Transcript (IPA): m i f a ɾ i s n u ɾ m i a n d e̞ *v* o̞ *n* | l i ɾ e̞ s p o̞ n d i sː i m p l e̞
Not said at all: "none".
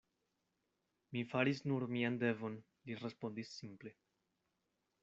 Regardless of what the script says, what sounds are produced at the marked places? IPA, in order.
v, n

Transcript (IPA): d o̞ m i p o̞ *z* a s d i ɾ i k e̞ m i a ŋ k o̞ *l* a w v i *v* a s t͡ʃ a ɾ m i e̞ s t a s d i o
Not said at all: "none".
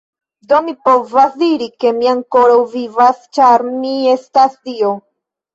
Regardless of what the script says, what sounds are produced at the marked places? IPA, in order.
v, ɾ, v

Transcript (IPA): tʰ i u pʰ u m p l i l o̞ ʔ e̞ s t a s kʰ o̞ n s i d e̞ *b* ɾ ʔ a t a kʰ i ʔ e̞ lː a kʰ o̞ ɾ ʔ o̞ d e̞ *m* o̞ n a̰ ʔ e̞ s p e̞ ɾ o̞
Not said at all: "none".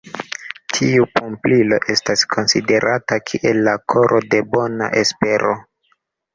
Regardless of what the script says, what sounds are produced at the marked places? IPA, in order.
none, b

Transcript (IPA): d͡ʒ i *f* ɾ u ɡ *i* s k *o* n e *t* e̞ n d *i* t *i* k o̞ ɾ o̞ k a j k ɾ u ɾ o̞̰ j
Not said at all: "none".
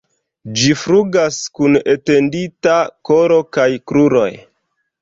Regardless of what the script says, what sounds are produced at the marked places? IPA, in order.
f, a, u, t, i, a

